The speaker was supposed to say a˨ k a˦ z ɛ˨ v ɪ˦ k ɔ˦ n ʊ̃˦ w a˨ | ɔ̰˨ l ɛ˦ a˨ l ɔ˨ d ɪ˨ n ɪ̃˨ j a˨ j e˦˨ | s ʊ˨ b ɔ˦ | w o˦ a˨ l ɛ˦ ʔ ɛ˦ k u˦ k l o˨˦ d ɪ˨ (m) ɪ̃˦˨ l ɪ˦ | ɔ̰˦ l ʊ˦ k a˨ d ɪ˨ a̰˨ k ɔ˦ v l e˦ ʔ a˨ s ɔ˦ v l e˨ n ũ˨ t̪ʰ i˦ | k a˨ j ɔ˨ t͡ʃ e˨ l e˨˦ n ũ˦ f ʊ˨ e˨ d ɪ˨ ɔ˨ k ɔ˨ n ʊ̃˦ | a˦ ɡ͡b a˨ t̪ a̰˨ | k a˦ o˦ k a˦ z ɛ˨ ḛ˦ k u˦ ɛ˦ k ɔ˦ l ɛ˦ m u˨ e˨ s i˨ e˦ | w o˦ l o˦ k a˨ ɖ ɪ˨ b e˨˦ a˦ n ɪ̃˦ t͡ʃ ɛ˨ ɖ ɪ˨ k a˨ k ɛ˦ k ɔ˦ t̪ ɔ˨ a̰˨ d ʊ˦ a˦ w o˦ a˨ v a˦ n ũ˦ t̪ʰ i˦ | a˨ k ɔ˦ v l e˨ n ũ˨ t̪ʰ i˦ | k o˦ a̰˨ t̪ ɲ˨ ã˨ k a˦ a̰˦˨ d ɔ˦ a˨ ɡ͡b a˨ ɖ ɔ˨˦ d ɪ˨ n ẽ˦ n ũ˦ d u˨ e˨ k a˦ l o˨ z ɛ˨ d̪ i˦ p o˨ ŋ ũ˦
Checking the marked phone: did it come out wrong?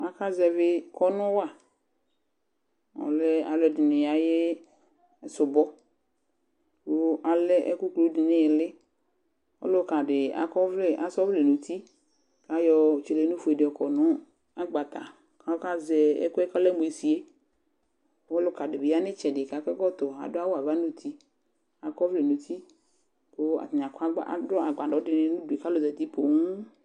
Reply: yes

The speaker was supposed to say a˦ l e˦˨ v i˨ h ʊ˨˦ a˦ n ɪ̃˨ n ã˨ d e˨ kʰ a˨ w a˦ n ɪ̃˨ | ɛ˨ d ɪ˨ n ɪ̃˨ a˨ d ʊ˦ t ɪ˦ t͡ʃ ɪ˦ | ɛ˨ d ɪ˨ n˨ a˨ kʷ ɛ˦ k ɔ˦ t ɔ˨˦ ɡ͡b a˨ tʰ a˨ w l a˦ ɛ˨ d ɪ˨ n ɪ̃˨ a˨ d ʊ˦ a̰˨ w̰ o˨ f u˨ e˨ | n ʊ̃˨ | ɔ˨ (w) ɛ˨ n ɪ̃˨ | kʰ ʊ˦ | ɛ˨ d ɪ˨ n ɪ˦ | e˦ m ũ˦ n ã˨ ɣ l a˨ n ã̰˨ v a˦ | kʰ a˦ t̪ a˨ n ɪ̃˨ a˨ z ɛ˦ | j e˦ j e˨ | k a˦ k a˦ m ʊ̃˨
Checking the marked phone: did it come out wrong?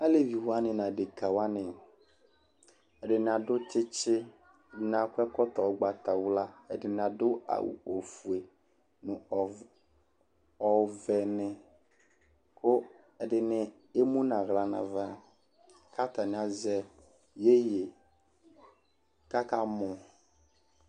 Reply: yes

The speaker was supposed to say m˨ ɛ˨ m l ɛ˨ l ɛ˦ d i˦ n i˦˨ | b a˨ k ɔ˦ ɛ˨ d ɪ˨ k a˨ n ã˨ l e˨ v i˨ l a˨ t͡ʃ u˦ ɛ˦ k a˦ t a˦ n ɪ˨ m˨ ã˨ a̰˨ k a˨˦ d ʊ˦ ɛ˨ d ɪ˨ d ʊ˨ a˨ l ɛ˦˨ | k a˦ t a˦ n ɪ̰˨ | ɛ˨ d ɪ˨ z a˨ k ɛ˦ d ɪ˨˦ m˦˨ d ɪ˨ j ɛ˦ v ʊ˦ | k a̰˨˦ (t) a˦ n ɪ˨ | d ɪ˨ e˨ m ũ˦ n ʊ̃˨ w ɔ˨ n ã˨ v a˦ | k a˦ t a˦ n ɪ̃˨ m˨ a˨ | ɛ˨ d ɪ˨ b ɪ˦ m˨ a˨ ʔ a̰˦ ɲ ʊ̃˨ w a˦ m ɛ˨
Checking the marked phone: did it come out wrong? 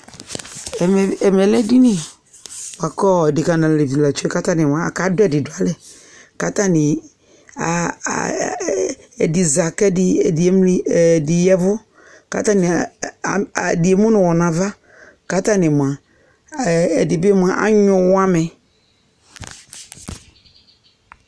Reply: no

